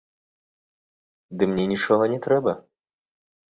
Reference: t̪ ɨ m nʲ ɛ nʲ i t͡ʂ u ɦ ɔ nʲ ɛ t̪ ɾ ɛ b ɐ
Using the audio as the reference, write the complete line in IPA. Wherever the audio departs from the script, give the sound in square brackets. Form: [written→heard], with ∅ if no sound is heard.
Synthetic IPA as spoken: [t̪→d̪] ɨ m nʲ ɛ nʲ i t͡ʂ [u→ɔ] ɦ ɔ nʲ ɛ t̪ ɾ ɛ b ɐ